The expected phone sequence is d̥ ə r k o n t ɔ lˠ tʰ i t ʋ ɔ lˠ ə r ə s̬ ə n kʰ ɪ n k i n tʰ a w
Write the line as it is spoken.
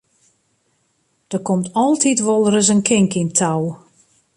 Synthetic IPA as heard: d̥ ə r k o m t ɔ lˠ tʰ i t ʋ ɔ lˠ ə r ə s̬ ə n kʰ ɪ ŋ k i n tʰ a w